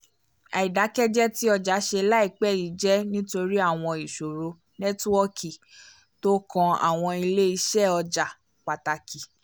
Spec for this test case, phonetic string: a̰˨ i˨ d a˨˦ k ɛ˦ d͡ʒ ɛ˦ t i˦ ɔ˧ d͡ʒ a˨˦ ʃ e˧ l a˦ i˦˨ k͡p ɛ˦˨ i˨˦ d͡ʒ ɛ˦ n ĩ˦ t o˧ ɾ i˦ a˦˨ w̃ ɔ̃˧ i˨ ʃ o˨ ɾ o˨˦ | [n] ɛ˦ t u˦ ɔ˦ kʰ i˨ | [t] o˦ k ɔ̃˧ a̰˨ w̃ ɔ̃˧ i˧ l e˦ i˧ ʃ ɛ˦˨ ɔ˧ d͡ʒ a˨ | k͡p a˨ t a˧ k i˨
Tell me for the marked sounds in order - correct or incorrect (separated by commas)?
correct, correct